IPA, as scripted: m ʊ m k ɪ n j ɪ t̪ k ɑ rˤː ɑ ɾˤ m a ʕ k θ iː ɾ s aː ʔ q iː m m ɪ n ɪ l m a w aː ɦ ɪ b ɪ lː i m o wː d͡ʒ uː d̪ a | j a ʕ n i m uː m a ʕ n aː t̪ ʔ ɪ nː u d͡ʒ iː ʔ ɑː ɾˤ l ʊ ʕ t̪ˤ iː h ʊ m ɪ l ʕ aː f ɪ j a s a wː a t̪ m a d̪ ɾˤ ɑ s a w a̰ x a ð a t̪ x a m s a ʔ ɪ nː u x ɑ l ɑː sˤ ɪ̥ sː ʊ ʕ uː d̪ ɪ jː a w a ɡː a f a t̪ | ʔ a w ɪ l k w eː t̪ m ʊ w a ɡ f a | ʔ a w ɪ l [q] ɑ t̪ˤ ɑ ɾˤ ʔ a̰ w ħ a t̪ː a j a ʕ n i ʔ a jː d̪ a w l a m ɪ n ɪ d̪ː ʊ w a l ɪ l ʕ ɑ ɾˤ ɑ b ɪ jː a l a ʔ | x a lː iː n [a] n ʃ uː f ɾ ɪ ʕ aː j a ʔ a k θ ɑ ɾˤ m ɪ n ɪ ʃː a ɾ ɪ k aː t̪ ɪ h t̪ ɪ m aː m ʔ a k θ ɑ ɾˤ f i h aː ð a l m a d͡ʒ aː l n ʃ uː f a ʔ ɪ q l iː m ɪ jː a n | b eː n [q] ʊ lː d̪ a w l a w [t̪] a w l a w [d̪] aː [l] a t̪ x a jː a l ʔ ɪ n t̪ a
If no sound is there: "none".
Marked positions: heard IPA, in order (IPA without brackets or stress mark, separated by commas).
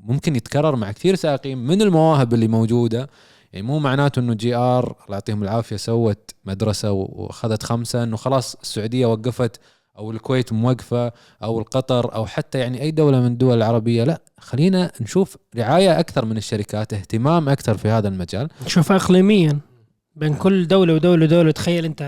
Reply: q, a, k, d̪, d̪, l